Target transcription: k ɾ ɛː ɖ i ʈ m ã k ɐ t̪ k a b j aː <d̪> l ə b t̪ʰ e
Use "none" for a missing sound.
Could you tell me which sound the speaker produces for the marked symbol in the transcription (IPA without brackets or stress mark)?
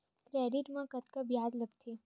d̪